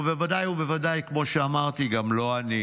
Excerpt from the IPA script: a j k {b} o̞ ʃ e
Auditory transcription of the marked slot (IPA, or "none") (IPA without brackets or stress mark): m